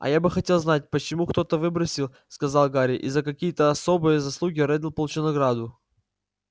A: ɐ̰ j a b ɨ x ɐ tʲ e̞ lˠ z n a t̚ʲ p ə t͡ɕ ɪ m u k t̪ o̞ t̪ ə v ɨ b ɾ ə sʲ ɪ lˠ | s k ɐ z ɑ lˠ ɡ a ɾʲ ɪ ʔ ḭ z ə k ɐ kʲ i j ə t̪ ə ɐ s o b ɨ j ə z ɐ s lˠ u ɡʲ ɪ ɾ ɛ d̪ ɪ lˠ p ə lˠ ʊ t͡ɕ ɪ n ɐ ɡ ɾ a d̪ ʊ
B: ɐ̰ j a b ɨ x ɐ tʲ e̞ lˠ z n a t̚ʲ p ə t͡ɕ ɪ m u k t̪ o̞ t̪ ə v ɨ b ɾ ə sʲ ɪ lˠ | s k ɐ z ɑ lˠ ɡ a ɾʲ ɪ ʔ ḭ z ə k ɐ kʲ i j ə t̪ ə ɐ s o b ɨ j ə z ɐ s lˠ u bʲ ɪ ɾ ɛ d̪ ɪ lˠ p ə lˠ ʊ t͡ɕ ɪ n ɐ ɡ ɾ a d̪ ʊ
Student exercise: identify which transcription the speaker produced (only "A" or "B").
A